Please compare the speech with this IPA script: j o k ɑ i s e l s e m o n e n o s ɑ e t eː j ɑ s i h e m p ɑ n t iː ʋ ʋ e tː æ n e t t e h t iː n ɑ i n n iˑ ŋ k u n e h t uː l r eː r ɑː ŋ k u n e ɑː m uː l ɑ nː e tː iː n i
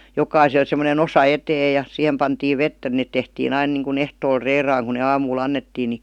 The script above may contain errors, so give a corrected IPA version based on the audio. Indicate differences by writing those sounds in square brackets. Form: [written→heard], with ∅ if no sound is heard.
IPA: j o k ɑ i s e l s e m o n e n o s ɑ e t eː j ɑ s i h e m p ɑ n t iː ʋ ʋ e tː æ n e t t e h t iː n ɑ i n n iˑ ŋ k u n e h t [uː→oː] l r eː r ɑː ŋ k u n e ɑː m uː l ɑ nː e tː iː n i

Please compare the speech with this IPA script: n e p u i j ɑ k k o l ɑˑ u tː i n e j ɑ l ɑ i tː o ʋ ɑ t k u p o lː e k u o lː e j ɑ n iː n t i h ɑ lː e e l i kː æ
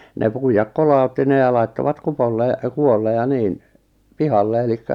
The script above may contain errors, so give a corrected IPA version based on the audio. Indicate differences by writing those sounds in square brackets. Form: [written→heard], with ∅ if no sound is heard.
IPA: n e p u i j ɑ k k o l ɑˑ u tː i n e j ɑ l ɑ i tː o ʋ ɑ t k u p o lː e k u o lː e j ɑ n iː n [t→p] i h ɑ lː e e l i kː æ

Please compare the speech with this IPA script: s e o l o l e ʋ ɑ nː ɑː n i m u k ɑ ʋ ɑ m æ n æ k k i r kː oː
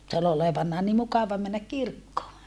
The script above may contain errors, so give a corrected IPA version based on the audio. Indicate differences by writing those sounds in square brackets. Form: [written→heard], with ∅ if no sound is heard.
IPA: s e o l o l e ʋ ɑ nː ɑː n i m u k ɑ ʋ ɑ m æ [n→nː] æ k k i r kː oː

